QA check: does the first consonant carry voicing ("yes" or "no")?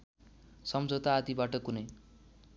no